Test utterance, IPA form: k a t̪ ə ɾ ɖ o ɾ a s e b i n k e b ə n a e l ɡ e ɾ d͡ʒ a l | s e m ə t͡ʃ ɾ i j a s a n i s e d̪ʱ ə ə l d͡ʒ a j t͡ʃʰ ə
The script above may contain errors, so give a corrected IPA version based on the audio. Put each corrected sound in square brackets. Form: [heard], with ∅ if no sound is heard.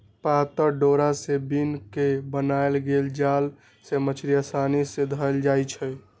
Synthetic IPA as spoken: [p] a t̪ ə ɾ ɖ o ɾ a s e b i n k e b ə n a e l ɡ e [l] d͡ʒ a l | s e m ə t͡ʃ ɾ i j a s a n i s e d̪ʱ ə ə l d͡ʒ a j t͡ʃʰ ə